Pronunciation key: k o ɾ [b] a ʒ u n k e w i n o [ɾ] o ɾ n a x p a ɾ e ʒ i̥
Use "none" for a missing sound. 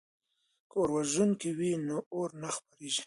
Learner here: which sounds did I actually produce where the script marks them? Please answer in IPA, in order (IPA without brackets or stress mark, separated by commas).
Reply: w, none